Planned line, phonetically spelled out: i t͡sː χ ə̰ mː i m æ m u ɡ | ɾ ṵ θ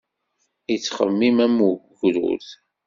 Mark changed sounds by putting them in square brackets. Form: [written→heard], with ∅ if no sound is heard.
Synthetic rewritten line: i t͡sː χ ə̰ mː i m æ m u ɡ | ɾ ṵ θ